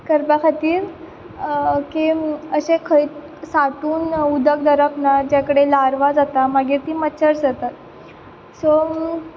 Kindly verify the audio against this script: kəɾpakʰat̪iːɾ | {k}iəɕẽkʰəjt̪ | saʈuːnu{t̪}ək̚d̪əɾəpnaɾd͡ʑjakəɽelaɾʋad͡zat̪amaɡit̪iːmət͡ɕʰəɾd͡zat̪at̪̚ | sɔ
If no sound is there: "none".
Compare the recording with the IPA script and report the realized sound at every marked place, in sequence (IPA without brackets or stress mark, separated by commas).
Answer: k, d̪